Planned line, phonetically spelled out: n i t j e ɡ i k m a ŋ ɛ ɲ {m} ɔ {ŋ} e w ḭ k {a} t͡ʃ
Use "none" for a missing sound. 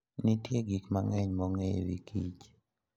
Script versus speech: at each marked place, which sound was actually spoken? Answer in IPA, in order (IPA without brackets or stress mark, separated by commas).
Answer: m, ŋ, i